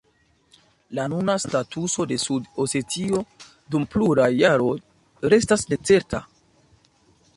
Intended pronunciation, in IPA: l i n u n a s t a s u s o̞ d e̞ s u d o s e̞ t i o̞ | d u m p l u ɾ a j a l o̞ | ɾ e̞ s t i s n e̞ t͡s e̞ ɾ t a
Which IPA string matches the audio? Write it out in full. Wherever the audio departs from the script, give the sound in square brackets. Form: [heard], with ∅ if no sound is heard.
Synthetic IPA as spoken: l [a] n u n a s t a [t] u s o̞ d e̞ s u d o s e̞ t i o̞ | d u m p l u ɾ a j a [ɾ] o̞ | ɾ e̞ s t [a] s n e̞ t͡s e̞ ɾ t a